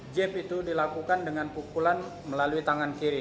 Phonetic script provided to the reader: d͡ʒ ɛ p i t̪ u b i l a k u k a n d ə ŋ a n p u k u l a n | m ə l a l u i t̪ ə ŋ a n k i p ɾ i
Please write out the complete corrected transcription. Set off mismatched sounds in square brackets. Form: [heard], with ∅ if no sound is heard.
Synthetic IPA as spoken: d͡ʒ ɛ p i t̪ u [d] i l a k u k a n d ə ŋ a n p u k u l a n | m ə l a l u i t̪ [a] ŋ a n k i [∅] ɾ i

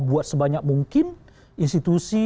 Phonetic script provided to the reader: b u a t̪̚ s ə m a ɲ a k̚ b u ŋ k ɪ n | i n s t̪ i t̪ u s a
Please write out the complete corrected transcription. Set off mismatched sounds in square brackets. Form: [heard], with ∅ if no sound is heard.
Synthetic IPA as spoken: b u a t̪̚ s ə [b] a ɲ a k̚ [m] u ŋ k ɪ n | i n s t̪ i t̪ u s [i]

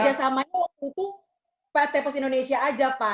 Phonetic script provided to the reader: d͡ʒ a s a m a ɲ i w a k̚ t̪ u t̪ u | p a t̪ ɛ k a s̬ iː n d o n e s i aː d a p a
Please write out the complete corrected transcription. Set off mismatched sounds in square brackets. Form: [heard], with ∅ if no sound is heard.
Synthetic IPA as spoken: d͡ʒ a s a m a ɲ [a] w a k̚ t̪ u t̪ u | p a t̪ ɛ [p] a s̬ [i] n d o n e s i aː [d͡ʒ] a p a

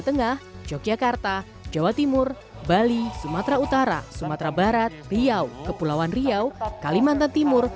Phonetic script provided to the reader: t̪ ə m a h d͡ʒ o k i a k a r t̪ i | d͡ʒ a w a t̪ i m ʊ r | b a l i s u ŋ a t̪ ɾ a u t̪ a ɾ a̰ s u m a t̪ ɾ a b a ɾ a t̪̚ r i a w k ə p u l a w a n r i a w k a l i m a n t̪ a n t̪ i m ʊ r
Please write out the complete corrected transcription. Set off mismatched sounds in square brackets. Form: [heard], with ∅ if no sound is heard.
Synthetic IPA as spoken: t̪ ə [ŋ] a h d͡ʒ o k i a k a r t̪ [a] | d͡ʒ a w a t̪ i m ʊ r | b a l i s u [m] a t̪ ɾ a u t̪ a ɾ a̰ s u m a t̪ ɾ a b a ɾ a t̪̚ r i a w k ə p u l a w a n r i a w k a l i m a n t̪ a n t̪ i m ʊ r

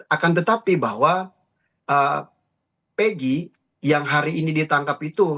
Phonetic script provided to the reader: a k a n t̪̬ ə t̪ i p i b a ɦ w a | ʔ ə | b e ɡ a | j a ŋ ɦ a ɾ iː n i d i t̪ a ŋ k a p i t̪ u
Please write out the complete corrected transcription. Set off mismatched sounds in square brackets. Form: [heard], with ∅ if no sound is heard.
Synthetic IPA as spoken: a k a n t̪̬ ə t̪ [a] p i b a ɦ w a | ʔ ə | [p] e ɡ [i] | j a ŋ ɦ a ɾ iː n i d i t̪ a ŋ k a p i t̪ u

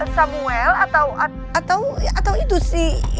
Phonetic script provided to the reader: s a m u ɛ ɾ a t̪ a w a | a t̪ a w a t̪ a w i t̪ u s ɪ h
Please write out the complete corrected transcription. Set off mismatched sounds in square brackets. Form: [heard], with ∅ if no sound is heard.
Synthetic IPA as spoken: s a m u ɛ [l] a t̪ a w a | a t̪ a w a t̪ a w i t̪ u s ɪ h

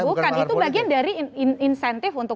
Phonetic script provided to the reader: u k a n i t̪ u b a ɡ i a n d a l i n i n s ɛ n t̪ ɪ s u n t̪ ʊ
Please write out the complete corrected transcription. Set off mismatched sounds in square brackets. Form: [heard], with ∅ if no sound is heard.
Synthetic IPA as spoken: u k a n i t̪ u b a ɡ i a n d a [ɾ] i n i n s ɛ n t̪ ɪ [f] u n t̪ ʊ

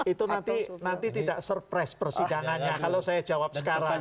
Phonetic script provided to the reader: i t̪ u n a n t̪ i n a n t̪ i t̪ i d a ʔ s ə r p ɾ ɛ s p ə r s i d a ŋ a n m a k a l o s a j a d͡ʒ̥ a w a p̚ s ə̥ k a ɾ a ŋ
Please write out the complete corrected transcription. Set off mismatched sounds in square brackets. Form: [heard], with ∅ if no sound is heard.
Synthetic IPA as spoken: i t̪ u n a n t̪ i n a n t̪ i t̪ i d a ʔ s ə r p ɾ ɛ s p ə r s i d a ŋ a n [ɲ] a k a l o s a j a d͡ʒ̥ a w a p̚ s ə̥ k a ɾ a ŋ

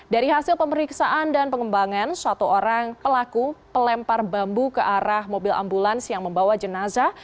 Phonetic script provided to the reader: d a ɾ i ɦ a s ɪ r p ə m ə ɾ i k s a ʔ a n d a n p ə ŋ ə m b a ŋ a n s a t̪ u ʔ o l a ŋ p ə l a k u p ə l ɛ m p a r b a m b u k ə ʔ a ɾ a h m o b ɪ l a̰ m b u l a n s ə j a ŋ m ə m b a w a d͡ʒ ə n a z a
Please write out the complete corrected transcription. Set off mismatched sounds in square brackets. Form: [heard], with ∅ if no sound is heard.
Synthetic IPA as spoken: d a ɾ i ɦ a s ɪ [l] p ə m ə ɾ i k s a ʔ a n d a n p ə ŋ ə m b a ŋ a n s a t̪ u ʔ o [ɾ] a ŋ p ə l a k u p ə l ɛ m p a r b a m b u k ə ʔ a ɾ a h m o b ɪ l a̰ m b u l a n s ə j a ŋ m ə m b a w a d͡ʒ ə n a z a

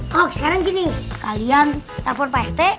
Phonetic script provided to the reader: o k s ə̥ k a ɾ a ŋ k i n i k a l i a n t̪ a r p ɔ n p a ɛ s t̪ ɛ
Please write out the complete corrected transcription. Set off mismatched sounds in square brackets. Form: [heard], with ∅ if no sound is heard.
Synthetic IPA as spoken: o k s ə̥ k a ɾ a ŋ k i n i k a l i a n t̪ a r p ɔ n p a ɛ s t̪ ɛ

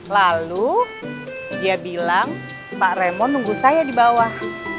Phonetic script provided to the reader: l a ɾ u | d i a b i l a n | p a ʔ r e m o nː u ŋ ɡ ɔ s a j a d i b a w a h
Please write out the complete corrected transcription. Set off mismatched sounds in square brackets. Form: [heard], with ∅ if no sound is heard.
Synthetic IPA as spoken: l a [l] u | d i a b i l a [ŋ] | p a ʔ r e m [ɔ] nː u ŋ ɡ [u] s a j a d i b a w a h

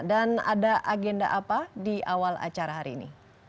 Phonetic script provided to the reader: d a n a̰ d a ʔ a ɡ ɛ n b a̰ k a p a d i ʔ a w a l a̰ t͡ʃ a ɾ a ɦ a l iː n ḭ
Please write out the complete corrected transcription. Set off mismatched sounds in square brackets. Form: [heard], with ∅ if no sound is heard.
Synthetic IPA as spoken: d a n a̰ d a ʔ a ɡ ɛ n [d] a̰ [ʔ] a p a d i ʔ a w a l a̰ t͡ʃ a ɾ a ɦ a [ɾ] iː n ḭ

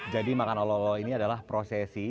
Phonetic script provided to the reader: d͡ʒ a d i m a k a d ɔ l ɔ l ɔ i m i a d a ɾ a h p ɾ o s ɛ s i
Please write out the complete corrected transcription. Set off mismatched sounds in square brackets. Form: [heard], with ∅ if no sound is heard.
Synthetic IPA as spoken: d͡ʒ a d i m a k a [n] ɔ l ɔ l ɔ i [n] i a d a [l] a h p ɾ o s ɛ s i

